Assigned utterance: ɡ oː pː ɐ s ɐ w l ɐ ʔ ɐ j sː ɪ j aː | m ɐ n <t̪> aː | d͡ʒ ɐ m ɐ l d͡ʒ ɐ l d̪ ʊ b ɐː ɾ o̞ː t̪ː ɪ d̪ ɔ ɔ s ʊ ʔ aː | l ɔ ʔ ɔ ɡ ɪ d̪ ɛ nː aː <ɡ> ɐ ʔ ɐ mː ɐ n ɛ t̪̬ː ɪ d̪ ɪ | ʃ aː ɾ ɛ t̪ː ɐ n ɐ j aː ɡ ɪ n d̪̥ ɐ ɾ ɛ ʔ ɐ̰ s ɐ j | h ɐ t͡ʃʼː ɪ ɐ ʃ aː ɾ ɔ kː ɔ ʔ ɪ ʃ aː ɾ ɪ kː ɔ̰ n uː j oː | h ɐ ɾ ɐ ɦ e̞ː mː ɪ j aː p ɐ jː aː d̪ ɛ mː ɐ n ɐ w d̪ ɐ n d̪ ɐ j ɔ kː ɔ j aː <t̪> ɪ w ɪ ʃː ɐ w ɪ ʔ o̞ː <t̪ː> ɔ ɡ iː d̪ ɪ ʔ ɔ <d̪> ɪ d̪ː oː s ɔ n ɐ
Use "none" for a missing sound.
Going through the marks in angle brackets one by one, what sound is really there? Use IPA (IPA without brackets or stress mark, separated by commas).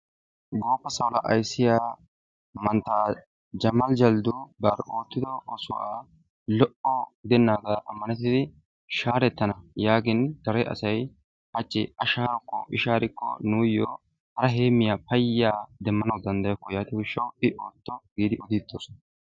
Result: t̪, ɡ, t̪, t̪ː, d̪